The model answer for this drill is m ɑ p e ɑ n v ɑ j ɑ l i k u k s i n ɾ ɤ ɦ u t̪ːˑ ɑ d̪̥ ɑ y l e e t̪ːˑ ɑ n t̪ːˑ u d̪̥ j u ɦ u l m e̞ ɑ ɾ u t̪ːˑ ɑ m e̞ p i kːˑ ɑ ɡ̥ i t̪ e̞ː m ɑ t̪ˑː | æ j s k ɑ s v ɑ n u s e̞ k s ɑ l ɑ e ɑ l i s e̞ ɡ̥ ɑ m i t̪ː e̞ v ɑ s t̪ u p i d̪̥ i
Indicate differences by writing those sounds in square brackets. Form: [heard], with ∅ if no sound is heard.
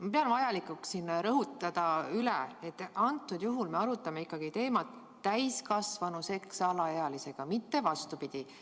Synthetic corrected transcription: m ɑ p e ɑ n v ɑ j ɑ l i k u k s i n ɾ ɤ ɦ u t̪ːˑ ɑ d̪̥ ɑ y l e e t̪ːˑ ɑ n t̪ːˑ u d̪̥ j u ɦ u l m e̞ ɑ ɾ u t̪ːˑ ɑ m e̞ [∅] i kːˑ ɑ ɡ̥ i t̪ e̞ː m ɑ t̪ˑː | æ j s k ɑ s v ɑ n u s e̞ k s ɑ l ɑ e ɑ l i s e̞ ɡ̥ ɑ m i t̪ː e̞ v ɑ s t̪ u p i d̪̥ i

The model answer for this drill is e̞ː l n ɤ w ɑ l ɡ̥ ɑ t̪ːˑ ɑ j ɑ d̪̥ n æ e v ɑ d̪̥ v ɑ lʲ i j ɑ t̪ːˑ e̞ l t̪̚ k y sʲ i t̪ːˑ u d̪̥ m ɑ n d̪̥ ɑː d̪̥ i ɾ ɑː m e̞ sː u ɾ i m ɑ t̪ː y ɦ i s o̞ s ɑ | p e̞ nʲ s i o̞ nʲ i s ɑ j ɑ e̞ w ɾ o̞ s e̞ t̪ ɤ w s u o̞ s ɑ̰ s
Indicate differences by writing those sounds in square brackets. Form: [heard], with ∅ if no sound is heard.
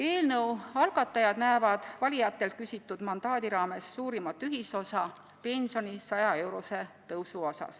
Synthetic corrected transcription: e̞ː l n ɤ w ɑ l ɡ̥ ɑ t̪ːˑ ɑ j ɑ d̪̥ n æ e v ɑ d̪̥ v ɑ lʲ i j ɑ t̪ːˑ e̞ l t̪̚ k y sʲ i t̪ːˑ u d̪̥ m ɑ n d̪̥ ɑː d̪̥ i ɾ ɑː m e̞ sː [uː] ɾ i m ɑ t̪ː y ɦ i s o̞ s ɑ | p e̞ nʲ s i o̞ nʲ i s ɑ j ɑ e̞ w ɾ o̞ s e̞ t̪ ɤ w s u o̞ s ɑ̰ s

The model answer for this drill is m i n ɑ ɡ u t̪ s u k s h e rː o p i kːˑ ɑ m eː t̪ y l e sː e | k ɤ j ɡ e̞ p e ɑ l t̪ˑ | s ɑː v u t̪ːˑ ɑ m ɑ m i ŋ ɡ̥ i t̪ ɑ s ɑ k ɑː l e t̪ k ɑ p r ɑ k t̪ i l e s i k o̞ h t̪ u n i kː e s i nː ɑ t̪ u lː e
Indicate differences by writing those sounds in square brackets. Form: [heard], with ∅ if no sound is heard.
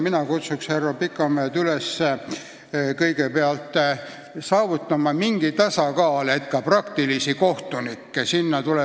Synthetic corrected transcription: m i n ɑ [k] u t̪ s u k s h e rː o p i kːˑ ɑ m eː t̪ y l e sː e | k ɤ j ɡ e̞ p e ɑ l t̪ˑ | s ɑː v u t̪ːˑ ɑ m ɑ m i ŋ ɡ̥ i t̪ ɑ s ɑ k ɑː l e t̪ k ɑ p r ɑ k t̪ i l [i] s i k o̞ h t̪ u n i kː e s i nː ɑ t̪ u [l] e

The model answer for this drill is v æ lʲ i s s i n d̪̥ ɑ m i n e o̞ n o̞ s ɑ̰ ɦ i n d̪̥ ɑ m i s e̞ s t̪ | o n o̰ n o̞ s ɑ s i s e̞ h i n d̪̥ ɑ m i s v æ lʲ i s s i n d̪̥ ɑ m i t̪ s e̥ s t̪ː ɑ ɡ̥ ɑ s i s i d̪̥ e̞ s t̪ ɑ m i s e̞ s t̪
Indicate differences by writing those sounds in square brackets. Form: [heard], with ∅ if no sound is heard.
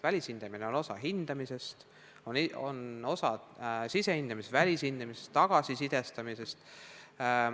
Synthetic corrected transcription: v æ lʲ i s [h] i n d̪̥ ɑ m i n e o̞ n o̞ s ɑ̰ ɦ i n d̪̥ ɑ m i s e̞ s t̪ | o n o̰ n o̞ s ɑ s i s e̞ h i n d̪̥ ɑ m i s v æ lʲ i s [h] i n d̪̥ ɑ m i [∅] s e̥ s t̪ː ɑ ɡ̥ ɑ s i s i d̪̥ e̞ s t̪ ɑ m i s e̞ s t̪

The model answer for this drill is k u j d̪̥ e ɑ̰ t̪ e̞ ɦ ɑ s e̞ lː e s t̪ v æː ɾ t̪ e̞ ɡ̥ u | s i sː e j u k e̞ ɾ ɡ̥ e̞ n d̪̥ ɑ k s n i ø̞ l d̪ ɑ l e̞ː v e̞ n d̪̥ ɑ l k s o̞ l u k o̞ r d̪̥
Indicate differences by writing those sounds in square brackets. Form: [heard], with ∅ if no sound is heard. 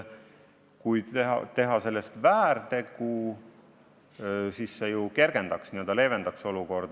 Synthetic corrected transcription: k u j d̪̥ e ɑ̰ t̪ e̞ ɦ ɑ s e̞ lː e s t̪ v æː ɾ t̪ e̞ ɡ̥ u | s i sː e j u k e̞ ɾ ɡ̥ e̞ n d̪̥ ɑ k s n i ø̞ l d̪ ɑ l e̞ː v e̞ n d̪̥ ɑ [∅] k s o̞ l u k o̞ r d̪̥

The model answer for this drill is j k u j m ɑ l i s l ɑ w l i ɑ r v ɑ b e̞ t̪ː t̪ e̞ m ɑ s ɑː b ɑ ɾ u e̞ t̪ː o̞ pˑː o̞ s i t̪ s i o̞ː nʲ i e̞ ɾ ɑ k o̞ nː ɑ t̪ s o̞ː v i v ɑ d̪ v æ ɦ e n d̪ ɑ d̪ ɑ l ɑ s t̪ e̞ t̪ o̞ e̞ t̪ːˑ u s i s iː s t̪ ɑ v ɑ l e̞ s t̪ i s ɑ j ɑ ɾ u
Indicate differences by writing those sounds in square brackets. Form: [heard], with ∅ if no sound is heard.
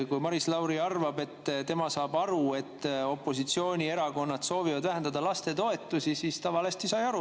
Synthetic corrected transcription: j k u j m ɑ [ɾ] i s l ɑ w [ɾ] i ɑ r v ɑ b e̞ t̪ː t̪ e̞ m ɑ s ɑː b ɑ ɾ u e̞ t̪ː o̞ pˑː o̞ s i t̪ s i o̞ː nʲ i e̞ ɾ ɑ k o̞ nː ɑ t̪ s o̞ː v i v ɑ d̪ v æ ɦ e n d̪ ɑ d̪ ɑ l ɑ s t̪ e̞ t̪ o̞ e̞ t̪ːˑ u s i s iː s t̪ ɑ v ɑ l e̞ s t̪ i s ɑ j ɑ ɾ u

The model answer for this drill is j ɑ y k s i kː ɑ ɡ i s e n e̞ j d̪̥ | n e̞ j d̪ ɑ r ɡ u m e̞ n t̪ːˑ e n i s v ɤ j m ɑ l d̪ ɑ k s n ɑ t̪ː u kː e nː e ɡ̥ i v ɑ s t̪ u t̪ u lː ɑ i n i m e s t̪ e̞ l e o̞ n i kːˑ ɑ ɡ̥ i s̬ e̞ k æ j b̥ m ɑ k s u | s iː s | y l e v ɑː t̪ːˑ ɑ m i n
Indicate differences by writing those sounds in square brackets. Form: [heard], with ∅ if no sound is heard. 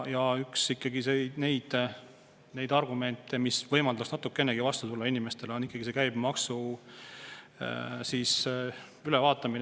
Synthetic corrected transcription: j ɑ y k s i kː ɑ ɡ i s e n e̞ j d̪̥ | n e̞ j d̪ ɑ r ɡ u m e̞ n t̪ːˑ e [m] i s v ɤ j m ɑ l d̪ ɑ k s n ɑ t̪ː u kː e nː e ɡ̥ i v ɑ s t̪ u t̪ u lː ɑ i n i m e s t̪ e̞ l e o̞ n i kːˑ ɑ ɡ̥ i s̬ e̞ k æ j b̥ m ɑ k s u | s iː s | y l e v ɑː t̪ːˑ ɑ m i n

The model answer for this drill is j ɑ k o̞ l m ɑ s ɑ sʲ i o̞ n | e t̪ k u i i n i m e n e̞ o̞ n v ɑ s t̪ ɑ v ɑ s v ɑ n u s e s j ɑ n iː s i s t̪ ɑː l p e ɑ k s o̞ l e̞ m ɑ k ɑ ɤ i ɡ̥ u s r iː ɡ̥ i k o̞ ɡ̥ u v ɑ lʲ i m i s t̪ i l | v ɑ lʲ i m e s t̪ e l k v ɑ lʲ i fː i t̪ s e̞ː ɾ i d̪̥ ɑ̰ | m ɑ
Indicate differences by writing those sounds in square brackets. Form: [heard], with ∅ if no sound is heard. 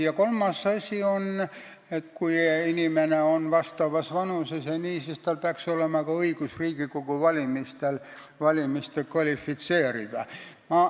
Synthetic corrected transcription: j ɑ k o̞ l m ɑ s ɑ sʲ i o̞ n | e t̪ k u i i n i m e n e̞ o̞ n v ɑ s t̪ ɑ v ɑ s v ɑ n u s e s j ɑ n iː s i s t̪ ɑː l p e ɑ k s o̞ l e̞ m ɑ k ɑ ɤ i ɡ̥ u s r iː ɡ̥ i k o̞ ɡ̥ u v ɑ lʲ i m i s t̪ [e] l | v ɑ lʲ i m [i] s t̪ e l k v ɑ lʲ i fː i t̪ s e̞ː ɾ i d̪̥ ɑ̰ | m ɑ

